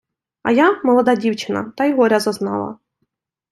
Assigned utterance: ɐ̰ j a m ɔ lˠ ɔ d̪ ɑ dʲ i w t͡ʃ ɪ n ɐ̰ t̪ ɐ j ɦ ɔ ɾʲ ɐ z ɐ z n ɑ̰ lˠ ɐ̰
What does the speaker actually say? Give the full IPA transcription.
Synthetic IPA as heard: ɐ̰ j a m ɔ lˠ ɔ d̪ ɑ dʲ i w t͡ʃ ɪ n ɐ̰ t̪ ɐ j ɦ ɔ ɾʲ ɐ z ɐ z n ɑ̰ lˠ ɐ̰